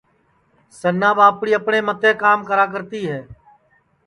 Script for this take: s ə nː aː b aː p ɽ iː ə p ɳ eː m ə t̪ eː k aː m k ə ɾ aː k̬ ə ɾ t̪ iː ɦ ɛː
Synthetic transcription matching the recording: s ə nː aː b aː p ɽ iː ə p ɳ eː m ə t̪ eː k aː m k ə ɾ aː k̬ ə ɾ t̪ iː ɦ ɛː